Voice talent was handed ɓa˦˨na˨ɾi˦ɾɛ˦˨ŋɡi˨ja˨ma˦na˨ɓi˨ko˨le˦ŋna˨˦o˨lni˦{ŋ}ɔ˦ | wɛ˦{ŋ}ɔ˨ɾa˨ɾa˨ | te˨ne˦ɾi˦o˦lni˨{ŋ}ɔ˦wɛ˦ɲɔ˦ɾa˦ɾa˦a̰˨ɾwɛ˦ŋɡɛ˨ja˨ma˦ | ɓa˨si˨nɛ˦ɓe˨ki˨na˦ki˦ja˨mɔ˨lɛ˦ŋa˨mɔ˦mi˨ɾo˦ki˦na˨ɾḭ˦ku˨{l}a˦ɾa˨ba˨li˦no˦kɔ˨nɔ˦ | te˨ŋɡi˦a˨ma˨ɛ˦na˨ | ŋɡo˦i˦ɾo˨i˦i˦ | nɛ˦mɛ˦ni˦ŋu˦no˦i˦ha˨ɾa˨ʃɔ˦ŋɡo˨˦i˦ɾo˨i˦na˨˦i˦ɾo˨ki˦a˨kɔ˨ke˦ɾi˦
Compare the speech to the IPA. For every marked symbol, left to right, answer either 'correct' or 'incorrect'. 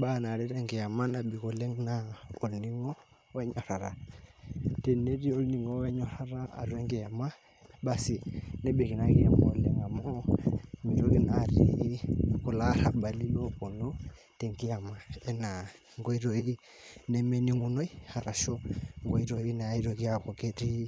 correct, incorrect, correct, correct

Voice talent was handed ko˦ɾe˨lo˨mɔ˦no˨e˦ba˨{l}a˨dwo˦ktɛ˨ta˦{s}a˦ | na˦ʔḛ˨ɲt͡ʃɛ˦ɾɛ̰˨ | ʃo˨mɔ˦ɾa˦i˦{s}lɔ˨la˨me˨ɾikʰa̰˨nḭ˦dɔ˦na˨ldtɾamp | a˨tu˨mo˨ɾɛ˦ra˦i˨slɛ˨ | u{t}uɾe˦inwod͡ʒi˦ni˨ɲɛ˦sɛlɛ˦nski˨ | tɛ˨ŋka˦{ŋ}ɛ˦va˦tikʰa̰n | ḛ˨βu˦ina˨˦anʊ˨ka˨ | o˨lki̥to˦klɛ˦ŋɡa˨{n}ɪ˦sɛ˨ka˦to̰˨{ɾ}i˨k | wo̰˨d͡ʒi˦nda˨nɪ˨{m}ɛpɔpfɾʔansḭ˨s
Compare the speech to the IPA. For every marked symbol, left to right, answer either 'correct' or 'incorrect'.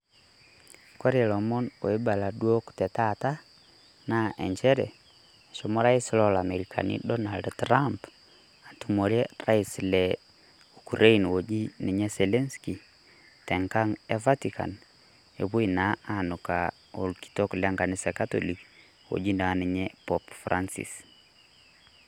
correct, incorrect, correct, incorrect, correct, correct, incorrect, incorrect

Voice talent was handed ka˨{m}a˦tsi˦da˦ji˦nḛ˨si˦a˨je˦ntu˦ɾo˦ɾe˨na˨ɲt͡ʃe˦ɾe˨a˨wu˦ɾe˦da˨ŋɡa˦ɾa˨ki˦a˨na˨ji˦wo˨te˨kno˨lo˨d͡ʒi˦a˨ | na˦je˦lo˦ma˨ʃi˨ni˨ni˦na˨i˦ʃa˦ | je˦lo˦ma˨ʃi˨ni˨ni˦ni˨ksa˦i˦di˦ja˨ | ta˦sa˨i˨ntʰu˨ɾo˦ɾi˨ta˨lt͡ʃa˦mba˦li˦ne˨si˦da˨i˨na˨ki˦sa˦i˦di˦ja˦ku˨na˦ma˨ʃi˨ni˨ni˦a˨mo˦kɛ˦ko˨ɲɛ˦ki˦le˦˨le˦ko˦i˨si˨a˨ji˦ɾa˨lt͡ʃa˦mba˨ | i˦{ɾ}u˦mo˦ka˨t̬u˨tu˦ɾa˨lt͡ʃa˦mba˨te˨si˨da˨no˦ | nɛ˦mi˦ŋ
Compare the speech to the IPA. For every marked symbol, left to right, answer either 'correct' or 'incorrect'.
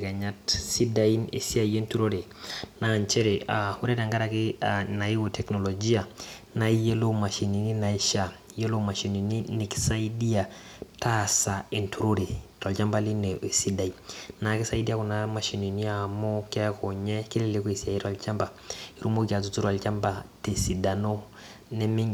incorrect, correct

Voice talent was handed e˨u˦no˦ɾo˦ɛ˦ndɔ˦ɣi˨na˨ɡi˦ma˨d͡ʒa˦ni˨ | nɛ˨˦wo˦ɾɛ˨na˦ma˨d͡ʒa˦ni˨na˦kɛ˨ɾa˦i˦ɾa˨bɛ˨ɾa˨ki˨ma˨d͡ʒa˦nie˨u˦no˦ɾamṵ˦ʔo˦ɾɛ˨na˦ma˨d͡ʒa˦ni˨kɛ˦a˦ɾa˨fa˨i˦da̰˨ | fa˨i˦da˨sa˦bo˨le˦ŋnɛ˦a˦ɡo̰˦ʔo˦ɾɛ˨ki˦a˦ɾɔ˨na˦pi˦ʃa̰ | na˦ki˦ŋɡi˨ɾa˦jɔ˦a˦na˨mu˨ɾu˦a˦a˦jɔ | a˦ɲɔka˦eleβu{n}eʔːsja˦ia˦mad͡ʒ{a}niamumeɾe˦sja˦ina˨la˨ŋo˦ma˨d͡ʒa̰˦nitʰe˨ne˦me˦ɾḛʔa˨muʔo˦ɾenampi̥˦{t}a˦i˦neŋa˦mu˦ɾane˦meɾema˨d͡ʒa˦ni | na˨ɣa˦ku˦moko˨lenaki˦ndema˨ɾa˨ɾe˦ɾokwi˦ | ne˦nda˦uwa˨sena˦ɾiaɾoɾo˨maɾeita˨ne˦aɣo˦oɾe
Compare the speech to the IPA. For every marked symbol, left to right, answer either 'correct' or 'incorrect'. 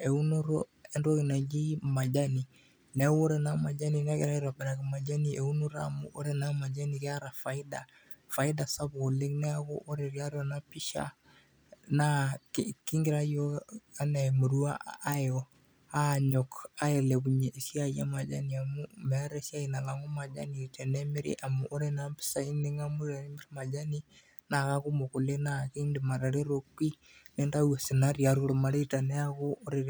incorrect, correct, incorrect

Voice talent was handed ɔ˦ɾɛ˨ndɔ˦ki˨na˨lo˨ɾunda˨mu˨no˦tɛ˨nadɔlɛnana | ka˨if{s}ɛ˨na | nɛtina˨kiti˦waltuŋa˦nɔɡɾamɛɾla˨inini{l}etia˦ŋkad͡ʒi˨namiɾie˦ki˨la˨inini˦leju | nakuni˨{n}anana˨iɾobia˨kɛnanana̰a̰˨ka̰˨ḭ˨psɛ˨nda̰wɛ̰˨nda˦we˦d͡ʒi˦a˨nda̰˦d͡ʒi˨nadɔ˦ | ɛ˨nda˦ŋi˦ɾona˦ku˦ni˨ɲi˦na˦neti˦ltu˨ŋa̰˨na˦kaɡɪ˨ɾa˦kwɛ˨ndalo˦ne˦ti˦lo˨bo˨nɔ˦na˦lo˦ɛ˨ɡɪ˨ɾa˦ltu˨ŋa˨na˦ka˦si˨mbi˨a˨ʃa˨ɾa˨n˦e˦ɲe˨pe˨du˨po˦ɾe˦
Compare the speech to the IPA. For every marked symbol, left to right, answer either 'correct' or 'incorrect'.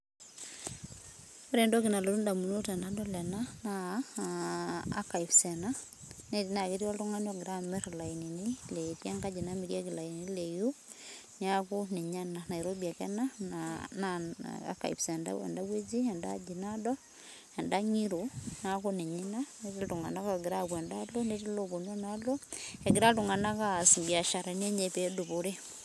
correct, correct, incorrect

